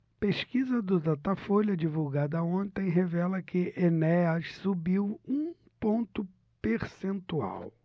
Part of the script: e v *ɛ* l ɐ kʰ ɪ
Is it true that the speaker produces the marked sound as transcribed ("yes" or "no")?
yes